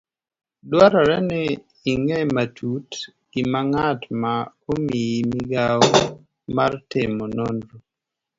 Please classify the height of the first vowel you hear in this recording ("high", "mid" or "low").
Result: low